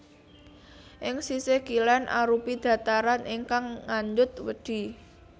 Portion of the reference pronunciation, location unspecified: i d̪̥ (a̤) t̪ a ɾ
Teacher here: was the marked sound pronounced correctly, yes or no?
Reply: yes